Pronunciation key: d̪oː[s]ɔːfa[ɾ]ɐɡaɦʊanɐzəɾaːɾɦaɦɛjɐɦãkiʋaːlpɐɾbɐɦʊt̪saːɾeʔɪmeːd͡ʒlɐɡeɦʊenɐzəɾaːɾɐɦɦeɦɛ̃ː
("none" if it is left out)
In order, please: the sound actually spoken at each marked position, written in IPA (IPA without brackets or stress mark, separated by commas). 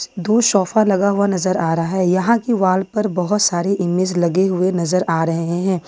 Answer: ʃ, l